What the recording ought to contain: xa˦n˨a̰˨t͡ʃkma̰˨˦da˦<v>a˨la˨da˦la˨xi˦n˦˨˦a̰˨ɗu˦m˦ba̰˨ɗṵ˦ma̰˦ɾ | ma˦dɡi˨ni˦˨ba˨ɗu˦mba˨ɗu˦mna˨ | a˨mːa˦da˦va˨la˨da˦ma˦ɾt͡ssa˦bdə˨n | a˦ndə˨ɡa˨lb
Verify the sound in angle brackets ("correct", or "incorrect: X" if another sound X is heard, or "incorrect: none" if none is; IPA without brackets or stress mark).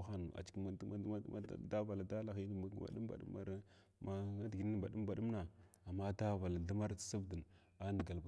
correct